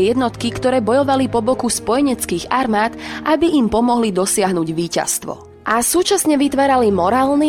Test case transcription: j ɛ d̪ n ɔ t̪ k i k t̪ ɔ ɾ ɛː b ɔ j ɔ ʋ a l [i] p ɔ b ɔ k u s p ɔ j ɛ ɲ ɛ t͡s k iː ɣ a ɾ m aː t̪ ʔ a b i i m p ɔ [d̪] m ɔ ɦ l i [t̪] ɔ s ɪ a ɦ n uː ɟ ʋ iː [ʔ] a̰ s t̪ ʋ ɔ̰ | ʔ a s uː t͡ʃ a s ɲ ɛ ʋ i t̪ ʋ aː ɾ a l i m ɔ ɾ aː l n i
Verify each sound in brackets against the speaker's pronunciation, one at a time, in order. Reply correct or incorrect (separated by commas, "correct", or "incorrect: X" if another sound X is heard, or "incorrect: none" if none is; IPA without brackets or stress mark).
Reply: correct, incorrect: none, incorrect: d̪, incorrect: c